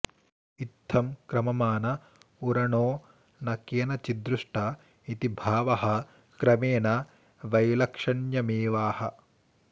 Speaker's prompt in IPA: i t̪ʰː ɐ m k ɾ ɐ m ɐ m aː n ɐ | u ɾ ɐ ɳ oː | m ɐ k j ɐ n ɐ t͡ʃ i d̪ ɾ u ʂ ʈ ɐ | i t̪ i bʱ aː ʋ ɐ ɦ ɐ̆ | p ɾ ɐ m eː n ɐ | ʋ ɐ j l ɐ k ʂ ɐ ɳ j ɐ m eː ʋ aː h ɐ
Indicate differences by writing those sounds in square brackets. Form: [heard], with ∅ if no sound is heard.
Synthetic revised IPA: i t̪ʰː ɐ m k ɾ ɐ m ɐ m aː n ɐ | u ɾ ɐ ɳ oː | [n] ɐ k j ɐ n ɐ t͡ʃ i d̪ ɾ u ʂ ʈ ɐ | i t̪ i bʱ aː ʋ ɐ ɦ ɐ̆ | [k] ɾ ɐ m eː n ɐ | ʋ ɐ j l ɐ k ʂ ɐ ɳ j ɐ m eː ʋ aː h ɐ